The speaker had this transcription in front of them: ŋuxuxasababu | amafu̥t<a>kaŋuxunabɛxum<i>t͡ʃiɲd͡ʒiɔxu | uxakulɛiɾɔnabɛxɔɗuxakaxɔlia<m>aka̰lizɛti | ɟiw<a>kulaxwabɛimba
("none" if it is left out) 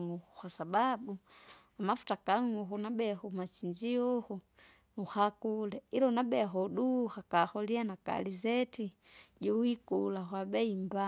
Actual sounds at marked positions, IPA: a, a, n, i

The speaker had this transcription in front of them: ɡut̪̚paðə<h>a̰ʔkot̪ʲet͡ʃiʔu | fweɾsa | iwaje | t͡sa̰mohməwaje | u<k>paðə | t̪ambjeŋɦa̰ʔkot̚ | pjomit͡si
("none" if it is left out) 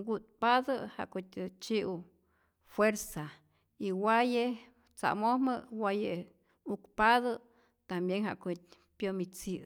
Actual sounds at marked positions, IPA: h, k

